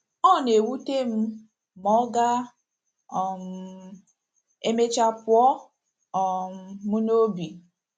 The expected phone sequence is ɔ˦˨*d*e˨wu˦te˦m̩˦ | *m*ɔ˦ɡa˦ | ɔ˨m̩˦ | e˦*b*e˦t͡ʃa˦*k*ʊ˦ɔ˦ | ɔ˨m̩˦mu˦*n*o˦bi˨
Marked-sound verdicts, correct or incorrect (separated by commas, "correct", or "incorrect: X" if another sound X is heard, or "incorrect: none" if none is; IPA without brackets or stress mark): incorrect: n, correct, incorrect: m, incorrect: p, correct